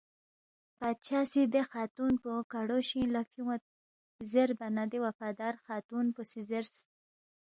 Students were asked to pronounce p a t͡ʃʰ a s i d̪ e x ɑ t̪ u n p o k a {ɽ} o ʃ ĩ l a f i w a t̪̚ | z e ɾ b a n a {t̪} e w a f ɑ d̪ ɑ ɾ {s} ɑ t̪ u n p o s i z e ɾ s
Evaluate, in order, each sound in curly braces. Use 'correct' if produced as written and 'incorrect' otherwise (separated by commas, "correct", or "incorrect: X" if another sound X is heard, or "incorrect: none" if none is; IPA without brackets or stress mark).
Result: correct, incorrect: d̪, incorrect: x